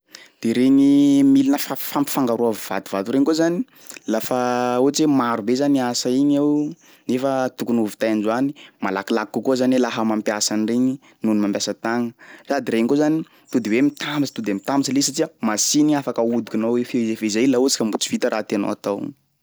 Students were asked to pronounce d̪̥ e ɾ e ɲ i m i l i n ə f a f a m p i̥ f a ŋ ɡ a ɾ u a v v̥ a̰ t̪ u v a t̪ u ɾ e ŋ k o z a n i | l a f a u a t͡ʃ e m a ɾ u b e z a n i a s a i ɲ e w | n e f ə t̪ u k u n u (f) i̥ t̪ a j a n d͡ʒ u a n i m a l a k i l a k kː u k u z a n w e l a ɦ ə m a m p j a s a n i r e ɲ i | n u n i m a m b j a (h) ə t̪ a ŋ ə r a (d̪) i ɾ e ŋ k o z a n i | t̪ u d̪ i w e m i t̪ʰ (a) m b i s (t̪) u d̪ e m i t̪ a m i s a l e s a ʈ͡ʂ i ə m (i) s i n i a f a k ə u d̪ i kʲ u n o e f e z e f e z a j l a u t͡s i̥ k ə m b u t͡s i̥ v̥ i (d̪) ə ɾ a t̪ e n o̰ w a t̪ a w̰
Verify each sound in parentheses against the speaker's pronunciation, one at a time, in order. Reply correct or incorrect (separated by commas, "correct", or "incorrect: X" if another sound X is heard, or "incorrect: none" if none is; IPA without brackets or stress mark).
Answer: incorrect: v, incorrect: s, correct, correct, correct, incorrect: a, incorrect: t̪